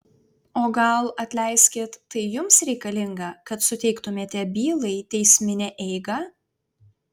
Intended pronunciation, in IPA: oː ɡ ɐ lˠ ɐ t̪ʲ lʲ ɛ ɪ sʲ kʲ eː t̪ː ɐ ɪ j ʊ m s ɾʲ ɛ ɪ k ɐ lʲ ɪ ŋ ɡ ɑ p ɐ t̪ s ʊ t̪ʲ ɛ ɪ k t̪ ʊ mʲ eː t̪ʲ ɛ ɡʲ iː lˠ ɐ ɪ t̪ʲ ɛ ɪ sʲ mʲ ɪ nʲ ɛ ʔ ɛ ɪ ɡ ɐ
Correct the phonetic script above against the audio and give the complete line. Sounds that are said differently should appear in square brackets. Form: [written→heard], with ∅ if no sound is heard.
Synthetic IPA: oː ɡ ɐ lˠ ɐ t̪ʲ lʲ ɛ ɪ sʲ kʲ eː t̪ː ɐ ɪ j ʊ m s ɾʲ ɛ ɪ k ɐ lʲ ɪ ŋ ɡ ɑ [p→k] ɐ t̪ s ʊ t̪ʲ ɛ ɪ k t̪ ʊ mʲ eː t̪ʲ ɛ [ɡʲ→bʲ] iː lˠ ɐ ɪ t̪ʲ ɛ ɪ sʲ mʲ ɪ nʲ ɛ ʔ ɛ ɪ ɡ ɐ